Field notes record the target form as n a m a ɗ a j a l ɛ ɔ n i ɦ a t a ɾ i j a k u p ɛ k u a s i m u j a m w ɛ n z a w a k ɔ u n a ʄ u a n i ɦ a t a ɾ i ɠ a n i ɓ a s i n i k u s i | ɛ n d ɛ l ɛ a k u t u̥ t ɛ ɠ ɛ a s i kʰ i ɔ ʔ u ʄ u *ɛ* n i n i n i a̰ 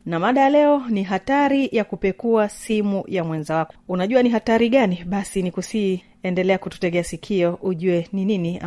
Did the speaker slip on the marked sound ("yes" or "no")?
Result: no